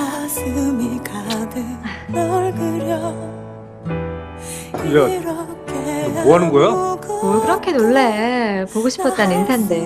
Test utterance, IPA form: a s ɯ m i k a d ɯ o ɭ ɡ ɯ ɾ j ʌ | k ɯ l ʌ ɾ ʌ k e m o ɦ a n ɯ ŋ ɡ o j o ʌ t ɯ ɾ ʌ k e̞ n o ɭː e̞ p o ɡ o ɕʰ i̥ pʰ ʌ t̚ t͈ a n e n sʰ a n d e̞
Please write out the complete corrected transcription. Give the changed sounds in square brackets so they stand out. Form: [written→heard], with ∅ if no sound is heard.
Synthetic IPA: a s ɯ m i k a d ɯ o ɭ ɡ ɯ ɾ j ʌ | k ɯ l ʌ ɾ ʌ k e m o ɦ a n ɯ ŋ ɡ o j o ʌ [t→k] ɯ ɾ ʌ [k→kʰ] e̞ n o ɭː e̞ p o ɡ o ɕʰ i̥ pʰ ʌ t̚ t͈ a n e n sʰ a n d e̞